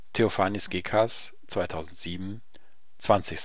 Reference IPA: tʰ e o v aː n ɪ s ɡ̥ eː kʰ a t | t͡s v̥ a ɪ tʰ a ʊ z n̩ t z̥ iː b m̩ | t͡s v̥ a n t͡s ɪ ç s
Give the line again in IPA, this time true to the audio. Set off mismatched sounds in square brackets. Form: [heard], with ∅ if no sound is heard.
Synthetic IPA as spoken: tʰ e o [f] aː n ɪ s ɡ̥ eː kʰ a [s] | t͡s v̥ a ɪ tʰ a ʊ z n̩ t z̥ iː b m̩ | t͡s v̥ a n t͡s ɪ ç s